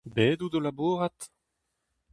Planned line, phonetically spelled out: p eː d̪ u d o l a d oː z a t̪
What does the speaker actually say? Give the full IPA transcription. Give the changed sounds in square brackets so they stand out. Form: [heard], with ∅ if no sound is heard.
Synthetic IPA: [b] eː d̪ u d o l a [b] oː [ʁ] a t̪